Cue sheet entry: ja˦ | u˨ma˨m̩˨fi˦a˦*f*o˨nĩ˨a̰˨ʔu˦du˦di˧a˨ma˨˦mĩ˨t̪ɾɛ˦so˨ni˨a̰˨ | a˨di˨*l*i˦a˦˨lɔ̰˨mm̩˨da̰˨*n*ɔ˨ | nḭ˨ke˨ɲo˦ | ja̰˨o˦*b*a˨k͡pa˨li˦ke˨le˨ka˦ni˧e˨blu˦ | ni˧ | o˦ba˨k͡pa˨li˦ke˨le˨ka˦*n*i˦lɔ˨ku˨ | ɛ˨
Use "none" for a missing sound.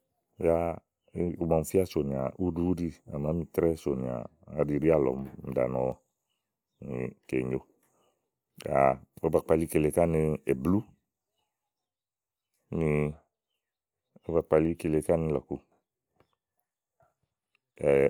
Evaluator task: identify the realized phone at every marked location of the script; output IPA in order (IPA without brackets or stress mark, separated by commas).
s, ɾ, n, b, n